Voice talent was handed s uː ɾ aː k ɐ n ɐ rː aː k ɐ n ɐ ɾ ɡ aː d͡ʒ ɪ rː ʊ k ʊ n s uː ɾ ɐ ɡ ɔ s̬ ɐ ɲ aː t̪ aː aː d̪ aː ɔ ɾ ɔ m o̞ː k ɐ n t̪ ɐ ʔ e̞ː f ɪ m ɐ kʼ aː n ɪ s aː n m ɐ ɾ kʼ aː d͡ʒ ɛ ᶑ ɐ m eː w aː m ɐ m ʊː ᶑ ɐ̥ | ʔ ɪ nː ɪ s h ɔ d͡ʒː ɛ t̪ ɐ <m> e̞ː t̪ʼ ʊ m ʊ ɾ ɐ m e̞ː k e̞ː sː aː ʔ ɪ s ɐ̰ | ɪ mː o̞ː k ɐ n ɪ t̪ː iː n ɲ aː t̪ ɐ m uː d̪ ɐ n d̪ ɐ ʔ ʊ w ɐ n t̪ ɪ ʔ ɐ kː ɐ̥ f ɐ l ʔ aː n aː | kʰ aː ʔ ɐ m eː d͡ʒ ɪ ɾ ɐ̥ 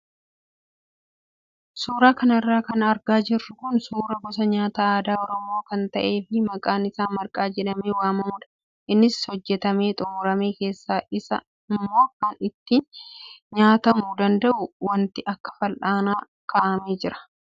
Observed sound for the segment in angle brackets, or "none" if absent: m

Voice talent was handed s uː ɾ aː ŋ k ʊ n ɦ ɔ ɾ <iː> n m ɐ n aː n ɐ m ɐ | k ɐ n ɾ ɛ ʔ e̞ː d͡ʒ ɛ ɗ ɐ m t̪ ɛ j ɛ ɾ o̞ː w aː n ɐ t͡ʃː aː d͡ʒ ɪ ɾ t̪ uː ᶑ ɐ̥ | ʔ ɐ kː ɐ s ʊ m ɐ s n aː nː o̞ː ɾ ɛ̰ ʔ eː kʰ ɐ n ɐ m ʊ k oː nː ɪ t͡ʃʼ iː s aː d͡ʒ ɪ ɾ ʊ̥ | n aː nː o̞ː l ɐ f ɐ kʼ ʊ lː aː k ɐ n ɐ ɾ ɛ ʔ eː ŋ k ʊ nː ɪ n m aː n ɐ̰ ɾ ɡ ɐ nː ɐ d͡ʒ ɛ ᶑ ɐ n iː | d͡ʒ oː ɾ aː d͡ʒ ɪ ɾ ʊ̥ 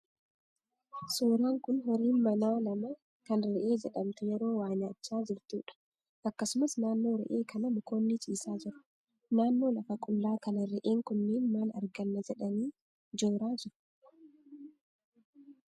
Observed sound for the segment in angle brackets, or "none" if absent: iː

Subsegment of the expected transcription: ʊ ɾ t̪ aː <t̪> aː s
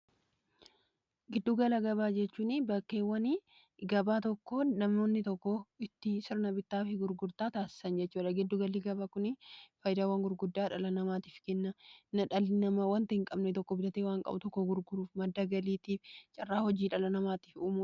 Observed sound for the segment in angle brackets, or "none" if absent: t̪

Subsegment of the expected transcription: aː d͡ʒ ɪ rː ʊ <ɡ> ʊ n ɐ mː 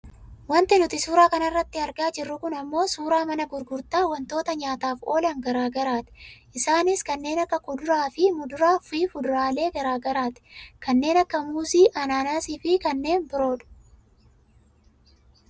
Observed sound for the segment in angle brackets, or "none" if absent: k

